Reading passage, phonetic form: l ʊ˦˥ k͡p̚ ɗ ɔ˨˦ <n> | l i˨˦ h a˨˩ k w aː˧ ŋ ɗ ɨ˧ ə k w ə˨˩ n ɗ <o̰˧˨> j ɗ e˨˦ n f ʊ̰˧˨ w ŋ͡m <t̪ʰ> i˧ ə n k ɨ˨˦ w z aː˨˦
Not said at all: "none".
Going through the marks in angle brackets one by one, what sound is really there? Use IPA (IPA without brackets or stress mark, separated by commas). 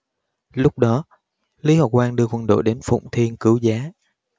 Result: none, o̰˧˨, t̪ʰ